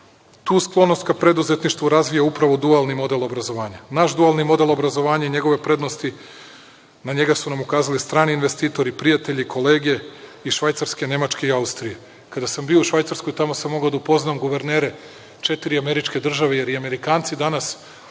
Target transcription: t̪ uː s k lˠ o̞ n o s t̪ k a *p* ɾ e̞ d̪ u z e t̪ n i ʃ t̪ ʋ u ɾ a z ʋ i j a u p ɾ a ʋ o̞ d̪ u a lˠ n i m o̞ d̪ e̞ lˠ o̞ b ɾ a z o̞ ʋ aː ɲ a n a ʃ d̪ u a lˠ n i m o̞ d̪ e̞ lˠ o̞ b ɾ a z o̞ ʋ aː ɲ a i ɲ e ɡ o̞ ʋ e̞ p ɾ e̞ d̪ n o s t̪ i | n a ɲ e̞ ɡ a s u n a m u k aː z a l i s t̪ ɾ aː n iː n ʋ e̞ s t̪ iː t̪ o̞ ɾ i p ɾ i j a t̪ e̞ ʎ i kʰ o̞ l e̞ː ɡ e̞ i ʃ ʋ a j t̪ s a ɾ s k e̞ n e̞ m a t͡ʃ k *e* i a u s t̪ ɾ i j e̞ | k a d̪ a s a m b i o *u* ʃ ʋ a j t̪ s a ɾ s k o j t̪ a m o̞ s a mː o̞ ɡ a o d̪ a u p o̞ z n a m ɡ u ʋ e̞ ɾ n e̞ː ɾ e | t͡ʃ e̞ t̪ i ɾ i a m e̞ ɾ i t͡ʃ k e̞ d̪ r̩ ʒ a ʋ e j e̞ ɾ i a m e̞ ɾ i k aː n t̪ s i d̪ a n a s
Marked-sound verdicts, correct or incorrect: correct, correct, correct

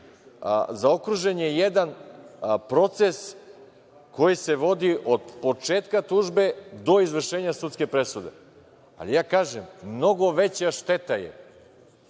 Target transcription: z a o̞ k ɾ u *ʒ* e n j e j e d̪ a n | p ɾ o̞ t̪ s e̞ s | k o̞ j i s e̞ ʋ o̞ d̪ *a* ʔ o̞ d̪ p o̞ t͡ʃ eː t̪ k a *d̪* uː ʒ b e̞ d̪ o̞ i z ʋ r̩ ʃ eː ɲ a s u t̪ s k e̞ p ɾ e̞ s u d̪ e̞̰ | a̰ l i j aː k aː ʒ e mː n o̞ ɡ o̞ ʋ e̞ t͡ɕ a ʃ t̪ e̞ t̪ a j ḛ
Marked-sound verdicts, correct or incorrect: correct, incorrect: i, incorrect: t̪

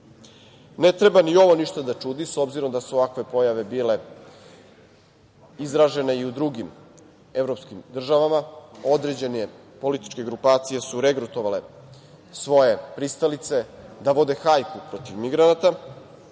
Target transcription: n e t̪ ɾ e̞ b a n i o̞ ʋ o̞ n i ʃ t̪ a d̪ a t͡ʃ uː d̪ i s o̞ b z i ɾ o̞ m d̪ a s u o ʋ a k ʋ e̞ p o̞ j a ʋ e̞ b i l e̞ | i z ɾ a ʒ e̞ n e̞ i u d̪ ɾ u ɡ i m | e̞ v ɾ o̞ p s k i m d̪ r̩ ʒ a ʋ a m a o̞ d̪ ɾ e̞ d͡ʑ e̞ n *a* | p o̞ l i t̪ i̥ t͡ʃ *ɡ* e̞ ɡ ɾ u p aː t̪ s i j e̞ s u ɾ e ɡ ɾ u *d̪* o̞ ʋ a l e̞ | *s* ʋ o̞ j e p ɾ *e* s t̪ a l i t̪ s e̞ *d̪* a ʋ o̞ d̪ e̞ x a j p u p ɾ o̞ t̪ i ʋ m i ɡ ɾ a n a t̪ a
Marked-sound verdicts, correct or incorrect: incorrect: e, incorrect: k, incorrect: t̪, correct, incorrect: i, correct

